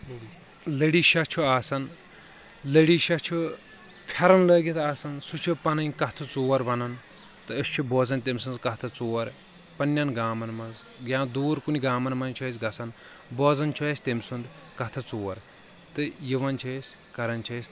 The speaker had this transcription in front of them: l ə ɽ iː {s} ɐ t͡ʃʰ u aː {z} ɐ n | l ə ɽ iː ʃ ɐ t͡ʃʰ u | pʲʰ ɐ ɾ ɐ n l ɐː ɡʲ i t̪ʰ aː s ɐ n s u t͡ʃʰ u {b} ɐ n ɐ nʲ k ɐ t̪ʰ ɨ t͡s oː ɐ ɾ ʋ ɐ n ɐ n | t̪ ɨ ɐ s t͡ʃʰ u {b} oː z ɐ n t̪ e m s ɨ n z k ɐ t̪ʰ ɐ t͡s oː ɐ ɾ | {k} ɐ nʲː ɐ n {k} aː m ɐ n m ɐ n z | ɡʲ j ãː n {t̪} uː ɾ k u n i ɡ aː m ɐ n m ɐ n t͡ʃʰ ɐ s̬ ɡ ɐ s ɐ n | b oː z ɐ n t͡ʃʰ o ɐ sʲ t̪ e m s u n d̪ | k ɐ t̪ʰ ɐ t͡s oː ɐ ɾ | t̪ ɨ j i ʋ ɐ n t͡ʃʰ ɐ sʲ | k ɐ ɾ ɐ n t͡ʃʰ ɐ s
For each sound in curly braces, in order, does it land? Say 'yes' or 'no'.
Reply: no, no, no, yes, no, no, no

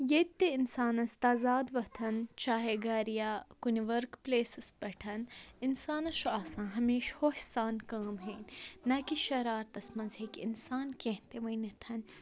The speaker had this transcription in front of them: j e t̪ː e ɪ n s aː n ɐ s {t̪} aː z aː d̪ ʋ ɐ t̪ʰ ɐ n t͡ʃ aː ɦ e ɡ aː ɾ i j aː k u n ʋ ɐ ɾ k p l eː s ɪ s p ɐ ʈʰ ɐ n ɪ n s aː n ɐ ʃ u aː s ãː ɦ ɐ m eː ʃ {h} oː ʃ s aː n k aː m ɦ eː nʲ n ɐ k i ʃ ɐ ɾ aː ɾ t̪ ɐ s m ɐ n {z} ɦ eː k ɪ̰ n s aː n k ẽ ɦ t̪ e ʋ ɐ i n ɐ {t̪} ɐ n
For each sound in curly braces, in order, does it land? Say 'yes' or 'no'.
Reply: yes, yes, yes, no

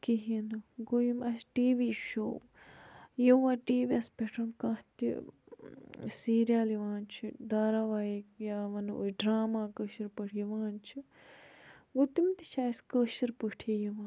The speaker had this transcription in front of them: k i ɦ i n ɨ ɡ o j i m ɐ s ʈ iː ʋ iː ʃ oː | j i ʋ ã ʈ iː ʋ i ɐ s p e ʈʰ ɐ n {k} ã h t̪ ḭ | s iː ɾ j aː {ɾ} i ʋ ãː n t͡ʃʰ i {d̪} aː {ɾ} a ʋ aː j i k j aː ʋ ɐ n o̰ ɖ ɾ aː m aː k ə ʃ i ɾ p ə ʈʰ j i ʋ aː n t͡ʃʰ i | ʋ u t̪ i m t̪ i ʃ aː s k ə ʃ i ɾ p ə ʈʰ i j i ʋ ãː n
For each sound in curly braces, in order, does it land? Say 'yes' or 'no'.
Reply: yes, no, yes, yes

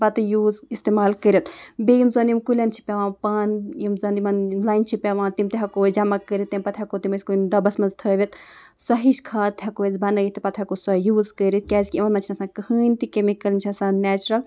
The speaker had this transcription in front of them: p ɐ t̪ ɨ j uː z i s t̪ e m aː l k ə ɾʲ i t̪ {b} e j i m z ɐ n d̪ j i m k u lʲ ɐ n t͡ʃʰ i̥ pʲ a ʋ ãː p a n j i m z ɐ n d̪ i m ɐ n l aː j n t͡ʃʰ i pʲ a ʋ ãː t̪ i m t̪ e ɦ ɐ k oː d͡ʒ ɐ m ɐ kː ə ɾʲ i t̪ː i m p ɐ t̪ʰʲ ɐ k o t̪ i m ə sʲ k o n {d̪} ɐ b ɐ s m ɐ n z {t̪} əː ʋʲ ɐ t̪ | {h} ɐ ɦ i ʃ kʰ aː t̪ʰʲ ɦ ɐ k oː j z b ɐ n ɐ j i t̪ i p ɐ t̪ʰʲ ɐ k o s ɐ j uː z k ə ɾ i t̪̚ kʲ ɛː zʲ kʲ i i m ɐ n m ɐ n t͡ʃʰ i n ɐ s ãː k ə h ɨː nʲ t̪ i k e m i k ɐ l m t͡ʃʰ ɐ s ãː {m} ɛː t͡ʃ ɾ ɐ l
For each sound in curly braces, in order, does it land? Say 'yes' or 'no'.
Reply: yes, yes, no, no, no

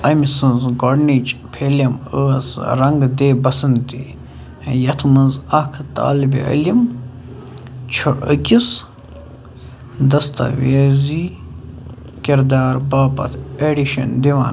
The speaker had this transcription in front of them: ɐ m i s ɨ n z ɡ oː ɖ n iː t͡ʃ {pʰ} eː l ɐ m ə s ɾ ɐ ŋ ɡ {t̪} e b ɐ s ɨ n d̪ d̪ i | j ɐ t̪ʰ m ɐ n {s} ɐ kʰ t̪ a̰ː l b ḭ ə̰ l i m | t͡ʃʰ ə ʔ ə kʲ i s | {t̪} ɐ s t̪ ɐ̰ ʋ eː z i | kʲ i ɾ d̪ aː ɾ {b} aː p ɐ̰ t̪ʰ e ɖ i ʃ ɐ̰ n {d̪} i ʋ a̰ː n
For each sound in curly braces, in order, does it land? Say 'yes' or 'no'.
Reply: yes, no, no, no, yes, yes

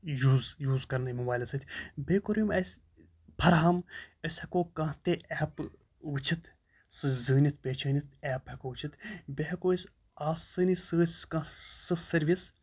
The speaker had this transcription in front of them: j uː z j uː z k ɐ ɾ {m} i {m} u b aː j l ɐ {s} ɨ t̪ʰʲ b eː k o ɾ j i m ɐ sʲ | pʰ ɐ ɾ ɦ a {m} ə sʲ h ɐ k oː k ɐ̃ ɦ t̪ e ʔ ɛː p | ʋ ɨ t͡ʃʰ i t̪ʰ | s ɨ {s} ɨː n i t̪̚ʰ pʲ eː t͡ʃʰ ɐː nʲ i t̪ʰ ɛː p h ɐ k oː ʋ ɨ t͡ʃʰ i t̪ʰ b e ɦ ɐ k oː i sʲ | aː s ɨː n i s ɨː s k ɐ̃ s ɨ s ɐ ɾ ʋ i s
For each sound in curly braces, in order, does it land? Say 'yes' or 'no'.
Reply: no, yes, yes, yes, no

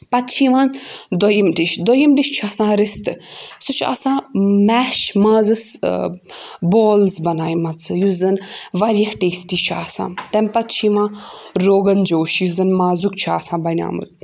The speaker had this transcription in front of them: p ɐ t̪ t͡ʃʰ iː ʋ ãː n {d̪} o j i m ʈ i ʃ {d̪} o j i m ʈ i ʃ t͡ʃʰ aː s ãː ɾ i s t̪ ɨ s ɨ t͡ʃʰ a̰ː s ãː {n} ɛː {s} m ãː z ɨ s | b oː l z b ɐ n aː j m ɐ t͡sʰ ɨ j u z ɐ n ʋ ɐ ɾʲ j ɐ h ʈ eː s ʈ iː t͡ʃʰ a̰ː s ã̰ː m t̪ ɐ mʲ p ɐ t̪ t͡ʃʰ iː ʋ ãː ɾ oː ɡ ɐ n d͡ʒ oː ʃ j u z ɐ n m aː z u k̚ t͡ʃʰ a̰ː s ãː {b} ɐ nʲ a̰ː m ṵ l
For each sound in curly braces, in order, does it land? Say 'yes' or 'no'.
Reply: yes, yes, no, no, yes

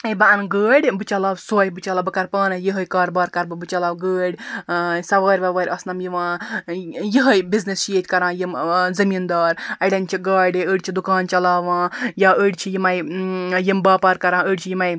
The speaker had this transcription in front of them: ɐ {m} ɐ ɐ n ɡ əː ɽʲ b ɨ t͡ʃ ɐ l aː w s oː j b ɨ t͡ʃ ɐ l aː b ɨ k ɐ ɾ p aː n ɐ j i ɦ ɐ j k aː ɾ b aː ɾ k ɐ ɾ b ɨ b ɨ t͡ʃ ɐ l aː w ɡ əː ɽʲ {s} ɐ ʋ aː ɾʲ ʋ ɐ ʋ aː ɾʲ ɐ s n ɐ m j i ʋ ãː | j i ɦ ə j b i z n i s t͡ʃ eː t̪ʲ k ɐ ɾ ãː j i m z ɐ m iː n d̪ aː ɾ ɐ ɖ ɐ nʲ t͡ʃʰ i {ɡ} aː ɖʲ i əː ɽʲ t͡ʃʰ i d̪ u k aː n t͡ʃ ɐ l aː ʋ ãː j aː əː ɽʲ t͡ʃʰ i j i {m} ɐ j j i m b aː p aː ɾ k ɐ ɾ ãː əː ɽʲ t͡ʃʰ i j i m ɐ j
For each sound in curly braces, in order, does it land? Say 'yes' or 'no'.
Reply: no, yes, yes, yes

